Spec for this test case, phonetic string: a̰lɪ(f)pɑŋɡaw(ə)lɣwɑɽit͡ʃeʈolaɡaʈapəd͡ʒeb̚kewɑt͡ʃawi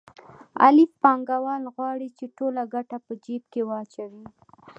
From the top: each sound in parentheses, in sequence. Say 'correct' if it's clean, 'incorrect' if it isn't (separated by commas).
correct, incorrect